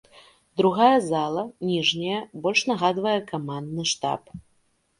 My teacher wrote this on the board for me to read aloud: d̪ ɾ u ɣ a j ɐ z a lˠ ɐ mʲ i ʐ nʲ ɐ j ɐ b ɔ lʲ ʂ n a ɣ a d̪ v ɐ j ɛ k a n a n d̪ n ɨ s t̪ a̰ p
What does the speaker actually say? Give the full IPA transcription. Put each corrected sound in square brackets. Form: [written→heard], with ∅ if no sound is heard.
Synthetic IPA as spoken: d̪ ɾ u ɣ a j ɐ z a lˠ ɐ [mʲ→nʲ] i ʐ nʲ ɐ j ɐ b ɔ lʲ ʂ n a ɣ a d̪ v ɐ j ɛ k a [n→m] a n d̪ n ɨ [s→ʂ] t̪ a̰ p